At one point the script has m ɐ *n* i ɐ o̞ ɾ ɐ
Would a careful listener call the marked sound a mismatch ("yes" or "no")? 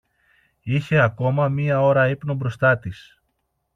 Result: yes